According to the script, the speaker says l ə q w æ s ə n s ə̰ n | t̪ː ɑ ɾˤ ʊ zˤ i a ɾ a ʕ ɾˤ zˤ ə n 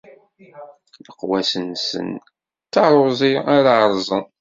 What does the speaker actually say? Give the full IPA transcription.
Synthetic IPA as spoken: l ə q w æ s ə n s ə̰ n | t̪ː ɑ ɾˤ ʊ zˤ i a ɾ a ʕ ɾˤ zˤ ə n